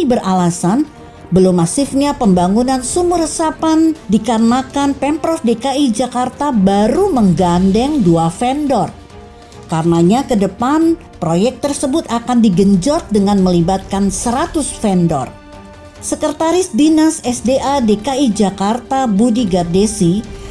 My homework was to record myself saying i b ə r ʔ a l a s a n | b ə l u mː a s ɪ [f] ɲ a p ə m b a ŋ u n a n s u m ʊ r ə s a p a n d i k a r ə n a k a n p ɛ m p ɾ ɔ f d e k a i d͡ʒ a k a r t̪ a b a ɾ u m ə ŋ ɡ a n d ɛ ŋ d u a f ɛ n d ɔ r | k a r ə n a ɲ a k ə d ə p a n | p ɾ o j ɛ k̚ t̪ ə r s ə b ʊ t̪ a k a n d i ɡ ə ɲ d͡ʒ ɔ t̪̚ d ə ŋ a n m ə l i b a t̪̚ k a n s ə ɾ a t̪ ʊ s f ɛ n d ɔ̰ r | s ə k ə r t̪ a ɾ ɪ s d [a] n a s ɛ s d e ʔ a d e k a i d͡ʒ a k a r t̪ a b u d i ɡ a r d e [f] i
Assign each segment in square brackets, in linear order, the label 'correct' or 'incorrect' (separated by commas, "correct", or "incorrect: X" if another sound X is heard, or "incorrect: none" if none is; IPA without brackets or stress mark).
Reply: correct, incorrect: i, incorrect: s